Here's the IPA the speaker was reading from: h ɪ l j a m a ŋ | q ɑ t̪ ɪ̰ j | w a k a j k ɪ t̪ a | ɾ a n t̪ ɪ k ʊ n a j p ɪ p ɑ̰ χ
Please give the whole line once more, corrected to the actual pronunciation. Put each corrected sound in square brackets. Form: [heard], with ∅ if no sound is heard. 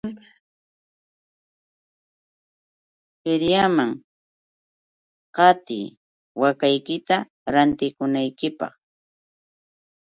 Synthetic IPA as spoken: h ɪ [ɾ] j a m a ŋ | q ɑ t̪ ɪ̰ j | w a k a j k ɪ t̪ a | ɾ a n t̪ ɪ k ʊ n a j [k] ɪ p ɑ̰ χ